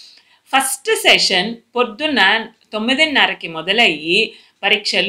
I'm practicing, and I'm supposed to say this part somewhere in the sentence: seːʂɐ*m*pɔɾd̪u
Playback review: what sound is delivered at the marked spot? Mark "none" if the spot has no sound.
n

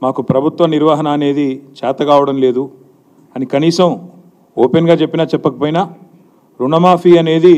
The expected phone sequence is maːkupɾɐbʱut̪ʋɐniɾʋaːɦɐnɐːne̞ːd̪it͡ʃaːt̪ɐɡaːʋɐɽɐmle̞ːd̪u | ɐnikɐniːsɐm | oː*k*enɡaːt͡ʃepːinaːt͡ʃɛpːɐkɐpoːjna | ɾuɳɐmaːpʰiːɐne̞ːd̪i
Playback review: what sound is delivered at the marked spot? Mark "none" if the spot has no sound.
p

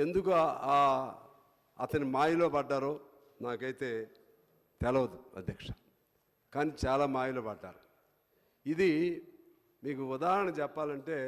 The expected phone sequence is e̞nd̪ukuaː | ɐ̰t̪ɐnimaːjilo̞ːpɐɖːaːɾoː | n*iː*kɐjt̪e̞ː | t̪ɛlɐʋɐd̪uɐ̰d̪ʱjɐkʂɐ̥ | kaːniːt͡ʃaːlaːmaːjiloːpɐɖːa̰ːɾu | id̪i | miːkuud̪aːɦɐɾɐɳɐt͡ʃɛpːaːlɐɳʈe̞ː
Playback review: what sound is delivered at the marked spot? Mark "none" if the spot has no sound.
aː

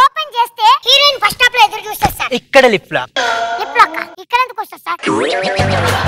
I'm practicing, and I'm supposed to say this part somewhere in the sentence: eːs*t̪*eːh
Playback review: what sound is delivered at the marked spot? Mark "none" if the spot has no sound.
t̪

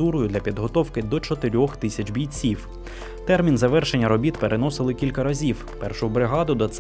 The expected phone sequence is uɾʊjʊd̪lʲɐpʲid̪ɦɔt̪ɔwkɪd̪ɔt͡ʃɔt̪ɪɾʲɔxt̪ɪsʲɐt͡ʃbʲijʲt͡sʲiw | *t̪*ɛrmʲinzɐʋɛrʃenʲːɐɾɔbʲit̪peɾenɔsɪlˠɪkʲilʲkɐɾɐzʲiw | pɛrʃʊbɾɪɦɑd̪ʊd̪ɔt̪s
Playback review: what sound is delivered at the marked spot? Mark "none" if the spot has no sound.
t̪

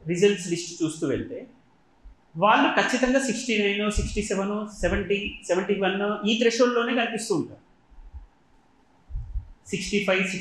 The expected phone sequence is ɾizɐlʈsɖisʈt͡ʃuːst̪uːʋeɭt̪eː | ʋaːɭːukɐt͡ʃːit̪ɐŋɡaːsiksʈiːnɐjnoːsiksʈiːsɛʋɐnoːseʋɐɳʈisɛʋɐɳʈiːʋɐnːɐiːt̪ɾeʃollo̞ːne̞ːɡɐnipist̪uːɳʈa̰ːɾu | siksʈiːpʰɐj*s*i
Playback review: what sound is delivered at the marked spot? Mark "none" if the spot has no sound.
s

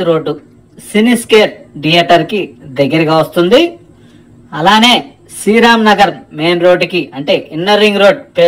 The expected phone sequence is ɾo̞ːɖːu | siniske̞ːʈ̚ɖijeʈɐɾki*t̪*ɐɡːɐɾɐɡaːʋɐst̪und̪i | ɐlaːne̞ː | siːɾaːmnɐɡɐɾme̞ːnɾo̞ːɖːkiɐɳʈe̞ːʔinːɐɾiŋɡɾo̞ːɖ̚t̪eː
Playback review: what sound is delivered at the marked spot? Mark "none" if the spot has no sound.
d̪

